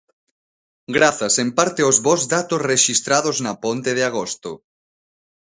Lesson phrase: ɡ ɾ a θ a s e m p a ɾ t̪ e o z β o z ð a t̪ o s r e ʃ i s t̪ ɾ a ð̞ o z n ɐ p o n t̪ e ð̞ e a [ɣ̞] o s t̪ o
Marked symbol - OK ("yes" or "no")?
yes